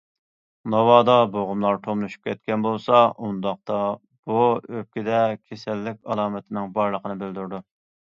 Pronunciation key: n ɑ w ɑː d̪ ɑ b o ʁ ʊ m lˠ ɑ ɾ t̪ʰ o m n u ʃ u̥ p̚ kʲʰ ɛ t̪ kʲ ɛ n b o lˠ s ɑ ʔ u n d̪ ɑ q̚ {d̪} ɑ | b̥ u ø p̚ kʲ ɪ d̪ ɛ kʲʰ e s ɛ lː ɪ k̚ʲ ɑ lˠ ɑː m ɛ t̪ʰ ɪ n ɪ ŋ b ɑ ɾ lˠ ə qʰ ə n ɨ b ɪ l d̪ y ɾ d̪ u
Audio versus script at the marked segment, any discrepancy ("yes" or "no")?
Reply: yes